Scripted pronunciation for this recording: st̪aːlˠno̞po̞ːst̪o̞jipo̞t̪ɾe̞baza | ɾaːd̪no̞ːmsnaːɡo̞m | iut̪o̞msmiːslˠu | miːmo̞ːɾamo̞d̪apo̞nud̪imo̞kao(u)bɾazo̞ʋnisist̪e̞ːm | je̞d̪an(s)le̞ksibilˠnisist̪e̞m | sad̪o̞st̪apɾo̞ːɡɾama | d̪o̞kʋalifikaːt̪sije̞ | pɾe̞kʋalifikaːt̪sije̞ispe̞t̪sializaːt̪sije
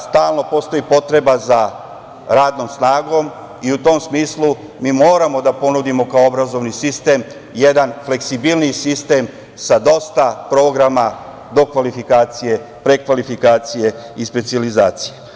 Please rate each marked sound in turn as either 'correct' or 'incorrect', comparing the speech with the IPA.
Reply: incorrect: o, incorrect: f

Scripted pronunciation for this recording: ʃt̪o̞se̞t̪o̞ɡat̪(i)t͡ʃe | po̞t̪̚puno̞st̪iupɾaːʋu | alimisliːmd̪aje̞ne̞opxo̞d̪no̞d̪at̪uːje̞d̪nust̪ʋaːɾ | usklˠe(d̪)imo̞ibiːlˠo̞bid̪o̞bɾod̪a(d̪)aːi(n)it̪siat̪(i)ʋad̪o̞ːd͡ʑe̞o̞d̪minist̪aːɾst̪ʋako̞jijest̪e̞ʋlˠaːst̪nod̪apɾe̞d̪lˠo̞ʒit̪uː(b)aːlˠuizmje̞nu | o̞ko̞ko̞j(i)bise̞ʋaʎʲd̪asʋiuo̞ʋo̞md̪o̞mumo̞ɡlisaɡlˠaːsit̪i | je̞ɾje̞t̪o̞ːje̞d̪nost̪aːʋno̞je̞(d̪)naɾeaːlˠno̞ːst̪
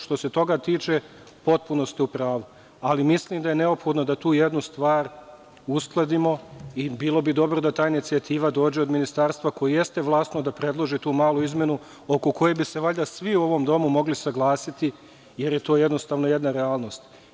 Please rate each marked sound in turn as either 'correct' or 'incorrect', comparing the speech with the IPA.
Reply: incorrect: iː, correct, incorrect: t̪, correct, incorrect: iː, incorrect: m, incorrect: e, correct

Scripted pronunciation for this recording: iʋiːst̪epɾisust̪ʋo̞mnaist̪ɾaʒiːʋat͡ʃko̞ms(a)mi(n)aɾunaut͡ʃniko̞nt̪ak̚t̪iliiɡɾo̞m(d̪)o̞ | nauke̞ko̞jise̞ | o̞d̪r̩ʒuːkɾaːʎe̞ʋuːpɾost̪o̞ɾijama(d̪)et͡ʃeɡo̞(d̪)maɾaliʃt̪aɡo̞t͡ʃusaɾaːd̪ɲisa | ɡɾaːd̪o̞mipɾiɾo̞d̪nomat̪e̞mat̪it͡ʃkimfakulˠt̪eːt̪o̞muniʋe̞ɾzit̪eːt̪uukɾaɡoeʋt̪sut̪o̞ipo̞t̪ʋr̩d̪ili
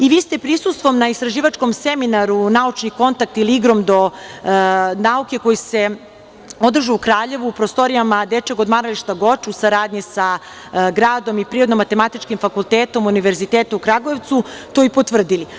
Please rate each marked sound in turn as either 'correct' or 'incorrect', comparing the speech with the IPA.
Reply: incorrect: e, correct, correct, correct, correct

